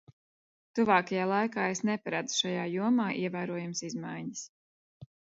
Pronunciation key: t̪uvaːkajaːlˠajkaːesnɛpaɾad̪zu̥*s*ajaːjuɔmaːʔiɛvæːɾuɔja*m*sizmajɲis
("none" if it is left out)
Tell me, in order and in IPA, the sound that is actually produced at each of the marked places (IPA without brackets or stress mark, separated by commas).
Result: ʃ, m